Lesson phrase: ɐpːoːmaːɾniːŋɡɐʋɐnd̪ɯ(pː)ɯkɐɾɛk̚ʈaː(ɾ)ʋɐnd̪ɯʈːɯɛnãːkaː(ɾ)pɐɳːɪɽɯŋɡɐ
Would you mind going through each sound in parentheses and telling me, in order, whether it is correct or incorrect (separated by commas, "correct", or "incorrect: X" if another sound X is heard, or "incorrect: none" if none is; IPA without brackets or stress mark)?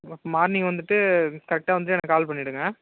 incorrect: ʈː, incorrect: none, incorrect: l